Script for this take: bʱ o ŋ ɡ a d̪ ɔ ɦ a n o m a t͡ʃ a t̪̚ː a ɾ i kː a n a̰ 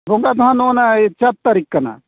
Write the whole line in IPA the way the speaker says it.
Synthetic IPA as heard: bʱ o ŋ ɡ a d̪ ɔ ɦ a n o n a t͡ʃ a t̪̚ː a ɾ i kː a n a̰